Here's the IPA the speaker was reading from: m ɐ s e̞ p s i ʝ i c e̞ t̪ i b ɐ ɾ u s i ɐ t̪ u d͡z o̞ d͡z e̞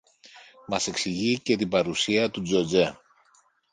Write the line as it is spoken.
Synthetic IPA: m ɐ s e̞ k s i ʝ i c e̞ t̪ i b ɐ ɾ u s i ɐ t̪ u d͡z o̞ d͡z e̞